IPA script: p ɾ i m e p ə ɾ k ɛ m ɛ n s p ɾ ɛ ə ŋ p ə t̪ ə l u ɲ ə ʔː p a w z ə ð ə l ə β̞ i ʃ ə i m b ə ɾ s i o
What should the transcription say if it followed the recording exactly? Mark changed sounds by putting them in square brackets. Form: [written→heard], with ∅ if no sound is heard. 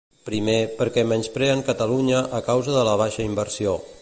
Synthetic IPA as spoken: p ɾ i m e p ə ɾ k ɛ m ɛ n s p ɾ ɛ ə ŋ [p→k] ə t̪ ə l u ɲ ə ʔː [p→k] a w z ə ð ə l ə β̞ [i→a] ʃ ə i m b ə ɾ s i o